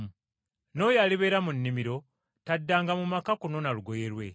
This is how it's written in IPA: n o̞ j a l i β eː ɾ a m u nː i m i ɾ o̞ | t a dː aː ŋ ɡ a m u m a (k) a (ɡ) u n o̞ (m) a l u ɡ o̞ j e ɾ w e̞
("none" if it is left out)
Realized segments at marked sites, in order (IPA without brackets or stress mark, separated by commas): k, k, n